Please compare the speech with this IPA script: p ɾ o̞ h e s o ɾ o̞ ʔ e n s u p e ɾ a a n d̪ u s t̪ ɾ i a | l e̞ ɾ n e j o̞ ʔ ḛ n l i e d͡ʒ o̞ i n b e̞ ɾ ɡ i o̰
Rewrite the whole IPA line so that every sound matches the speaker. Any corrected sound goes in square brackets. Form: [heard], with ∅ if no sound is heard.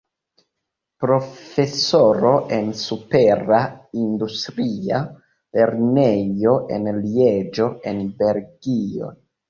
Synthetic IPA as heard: p ɾ o̞ [f] e s o ɾ o̞ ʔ e n s u p e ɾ a [i] n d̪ u s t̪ ɾ i a | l e̞ ɾ n e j o̞ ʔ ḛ n l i e d͡ʒ o̞ [e] n b e̞ ɾ ɡ i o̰